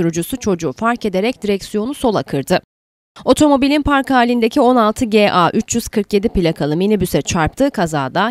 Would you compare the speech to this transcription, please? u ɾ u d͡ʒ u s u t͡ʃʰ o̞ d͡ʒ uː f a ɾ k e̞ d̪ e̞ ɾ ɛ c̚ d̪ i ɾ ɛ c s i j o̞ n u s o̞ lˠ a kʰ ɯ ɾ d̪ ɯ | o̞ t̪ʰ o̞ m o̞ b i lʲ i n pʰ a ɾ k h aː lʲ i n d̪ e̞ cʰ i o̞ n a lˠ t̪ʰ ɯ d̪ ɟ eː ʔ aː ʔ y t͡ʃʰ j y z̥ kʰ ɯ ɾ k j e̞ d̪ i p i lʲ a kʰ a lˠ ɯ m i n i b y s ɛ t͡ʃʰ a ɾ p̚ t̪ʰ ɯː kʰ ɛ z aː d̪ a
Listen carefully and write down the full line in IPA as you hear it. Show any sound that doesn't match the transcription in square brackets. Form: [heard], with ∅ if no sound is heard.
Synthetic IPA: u ɾ u d͡ʒ u s u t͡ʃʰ o̞ d͡ʒ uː f a ɾ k e̞ d̪ e̞ ɾ ɛ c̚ d̪ i ɾ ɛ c s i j o̞ n u s o̞ lˠ a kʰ ɯ ɾ d̪ ɯ | o̞ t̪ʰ o̞ m o̞ b i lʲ i n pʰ a ɾ k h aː lʲ i n d̪ e̞ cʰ i o̞ n a lˠ t̪ʰ ɯ [∅] ɟ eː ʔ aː ʔ y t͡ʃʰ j y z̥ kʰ ɯ ɾ k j e̞ d̪ i p i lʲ a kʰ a lˠ ɯ m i n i b y s ɛ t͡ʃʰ a ɾ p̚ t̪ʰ ɯː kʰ [a] z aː d̪ a